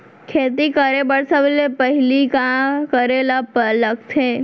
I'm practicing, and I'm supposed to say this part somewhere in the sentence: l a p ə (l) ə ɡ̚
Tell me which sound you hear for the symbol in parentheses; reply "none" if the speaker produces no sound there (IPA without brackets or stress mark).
l